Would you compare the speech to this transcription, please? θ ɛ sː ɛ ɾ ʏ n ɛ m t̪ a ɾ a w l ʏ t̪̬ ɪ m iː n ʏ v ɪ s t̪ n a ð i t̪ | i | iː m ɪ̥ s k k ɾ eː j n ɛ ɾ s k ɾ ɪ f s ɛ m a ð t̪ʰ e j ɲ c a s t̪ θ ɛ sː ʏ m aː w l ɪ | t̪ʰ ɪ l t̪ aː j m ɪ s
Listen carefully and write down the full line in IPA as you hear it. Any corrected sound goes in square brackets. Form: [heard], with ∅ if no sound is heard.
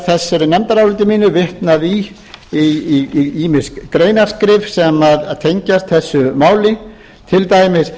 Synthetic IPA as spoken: θ ɛ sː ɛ ɾ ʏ n ɛ m t̪ a ɾ a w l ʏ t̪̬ ɪ m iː n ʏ v ɪ [h] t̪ n a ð i [∅] | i | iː m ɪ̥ s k k ɾ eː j n [a] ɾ s k ɾ ɪ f s ɛ m a ð t̪ʰ e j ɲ c a s t̪ θ ɛ sː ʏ m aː w l ɪ | t̪ʰ ɪ l t̪ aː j m ɪ s